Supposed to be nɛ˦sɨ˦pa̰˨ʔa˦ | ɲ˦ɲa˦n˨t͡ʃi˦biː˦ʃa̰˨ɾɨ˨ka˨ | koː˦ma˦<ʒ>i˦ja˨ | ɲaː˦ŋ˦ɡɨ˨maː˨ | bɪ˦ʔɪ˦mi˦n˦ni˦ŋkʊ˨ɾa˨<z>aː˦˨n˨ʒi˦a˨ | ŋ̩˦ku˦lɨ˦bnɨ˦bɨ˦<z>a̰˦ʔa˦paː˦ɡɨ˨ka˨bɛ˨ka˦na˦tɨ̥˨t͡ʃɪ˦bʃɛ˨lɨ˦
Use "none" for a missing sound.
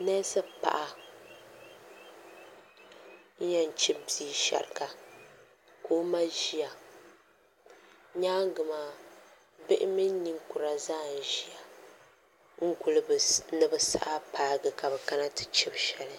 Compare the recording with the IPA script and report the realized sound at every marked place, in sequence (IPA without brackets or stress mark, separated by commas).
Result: ʒ, z, s